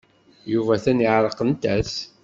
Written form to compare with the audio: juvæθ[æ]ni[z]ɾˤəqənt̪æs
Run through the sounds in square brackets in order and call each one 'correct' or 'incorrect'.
correct, incorrect

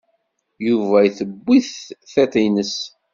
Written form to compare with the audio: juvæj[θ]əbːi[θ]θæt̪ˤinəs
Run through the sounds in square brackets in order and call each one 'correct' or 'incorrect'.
correct, correct

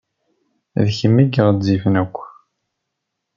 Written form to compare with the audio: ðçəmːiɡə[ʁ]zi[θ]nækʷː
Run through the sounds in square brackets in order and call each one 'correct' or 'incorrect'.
correct, incorrect

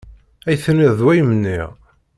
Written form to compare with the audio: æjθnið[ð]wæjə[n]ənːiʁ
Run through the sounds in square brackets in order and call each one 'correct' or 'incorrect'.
correct, incorrect

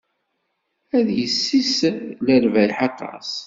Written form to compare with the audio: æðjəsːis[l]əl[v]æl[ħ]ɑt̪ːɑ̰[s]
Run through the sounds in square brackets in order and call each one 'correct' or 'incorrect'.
correct, correct, correct, correct

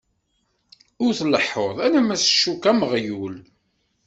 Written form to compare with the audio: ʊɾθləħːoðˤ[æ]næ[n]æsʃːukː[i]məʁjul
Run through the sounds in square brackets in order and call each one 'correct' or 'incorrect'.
correct, incorrect, incorrect

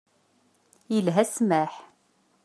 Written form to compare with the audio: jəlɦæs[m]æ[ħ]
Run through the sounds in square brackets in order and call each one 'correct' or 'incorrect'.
correct, correct

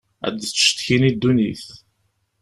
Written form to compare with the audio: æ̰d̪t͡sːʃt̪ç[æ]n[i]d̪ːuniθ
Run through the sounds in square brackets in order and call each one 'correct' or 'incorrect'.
incorrect, correct

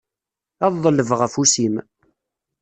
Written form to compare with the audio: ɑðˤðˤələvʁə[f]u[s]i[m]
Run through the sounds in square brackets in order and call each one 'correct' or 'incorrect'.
correct, correct, correct

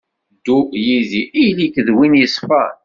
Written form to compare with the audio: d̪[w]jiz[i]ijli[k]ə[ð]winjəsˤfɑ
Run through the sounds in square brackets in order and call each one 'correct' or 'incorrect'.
incorrect, correct, correct, correct

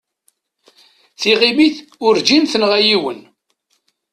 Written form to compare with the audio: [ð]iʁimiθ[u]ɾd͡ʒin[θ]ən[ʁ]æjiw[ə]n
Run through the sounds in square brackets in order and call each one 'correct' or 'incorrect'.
incorrect, incorrect, correct, correct, correct

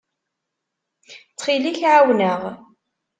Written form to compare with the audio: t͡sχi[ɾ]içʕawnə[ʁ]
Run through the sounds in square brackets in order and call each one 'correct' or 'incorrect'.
incorrect, correct

